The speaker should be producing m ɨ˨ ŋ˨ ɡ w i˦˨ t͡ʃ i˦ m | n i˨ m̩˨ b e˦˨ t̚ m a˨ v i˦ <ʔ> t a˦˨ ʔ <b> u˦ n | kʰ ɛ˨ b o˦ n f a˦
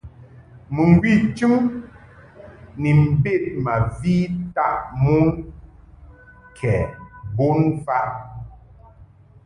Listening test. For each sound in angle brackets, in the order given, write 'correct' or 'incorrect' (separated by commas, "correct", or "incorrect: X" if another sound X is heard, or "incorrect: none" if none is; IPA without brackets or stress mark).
incorrect: none, incorrect: m